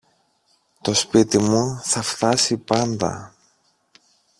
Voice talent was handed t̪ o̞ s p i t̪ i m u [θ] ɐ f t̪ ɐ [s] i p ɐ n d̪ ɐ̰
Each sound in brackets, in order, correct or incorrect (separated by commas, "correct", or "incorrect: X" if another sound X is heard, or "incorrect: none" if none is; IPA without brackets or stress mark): correct, correct